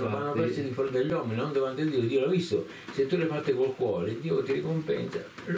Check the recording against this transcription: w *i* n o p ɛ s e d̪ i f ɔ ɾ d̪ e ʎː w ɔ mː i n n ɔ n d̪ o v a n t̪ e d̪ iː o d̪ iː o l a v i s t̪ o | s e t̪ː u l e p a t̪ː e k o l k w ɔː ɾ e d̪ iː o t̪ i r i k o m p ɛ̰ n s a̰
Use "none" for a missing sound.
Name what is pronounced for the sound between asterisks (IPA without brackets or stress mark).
a